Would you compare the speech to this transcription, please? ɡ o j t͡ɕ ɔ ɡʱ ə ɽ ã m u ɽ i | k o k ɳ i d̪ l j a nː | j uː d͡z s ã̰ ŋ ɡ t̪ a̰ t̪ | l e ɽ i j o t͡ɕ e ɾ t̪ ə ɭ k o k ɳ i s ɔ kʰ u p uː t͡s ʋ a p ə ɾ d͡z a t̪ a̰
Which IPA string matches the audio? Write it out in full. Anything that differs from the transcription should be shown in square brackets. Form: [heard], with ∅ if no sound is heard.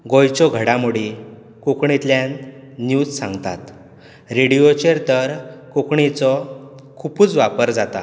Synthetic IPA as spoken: ɡ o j t͡ɕ ɔ ɡʱ ə ɽ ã m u ɽ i | k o k ɳ i [t̪] l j a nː | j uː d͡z s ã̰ ŋ ɡ t̪ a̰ t̪ | [ɾ] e ɽ i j o t͡ɕ e ɾ t̪ ə [ɾ] k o k ɳ i [t͡s] ɔ kʰ u p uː t͡s ʋ a p ə ɾ d͡z a t̪ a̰